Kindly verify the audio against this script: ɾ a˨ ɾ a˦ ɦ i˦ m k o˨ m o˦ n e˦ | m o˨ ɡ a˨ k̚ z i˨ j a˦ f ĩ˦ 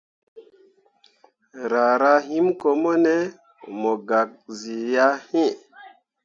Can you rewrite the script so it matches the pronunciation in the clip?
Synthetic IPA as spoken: ɾ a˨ ɾ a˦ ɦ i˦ m k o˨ m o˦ n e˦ | m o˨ ɡ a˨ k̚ z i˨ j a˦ h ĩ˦